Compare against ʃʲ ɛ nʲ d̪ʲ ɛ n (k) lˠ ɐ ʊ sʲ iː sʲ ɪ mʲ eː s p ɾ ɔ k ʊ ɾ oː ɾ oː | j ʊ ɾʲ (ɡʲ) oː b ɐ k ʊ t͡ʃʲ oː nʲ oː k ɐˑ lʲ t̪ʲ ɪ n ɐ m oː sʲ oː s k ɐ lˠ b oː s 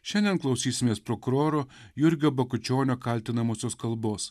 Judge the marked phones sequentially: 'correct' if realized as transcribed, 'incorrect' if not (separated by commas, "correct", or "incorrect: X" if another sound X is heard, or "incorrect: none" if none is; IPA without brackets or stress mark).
correct, correct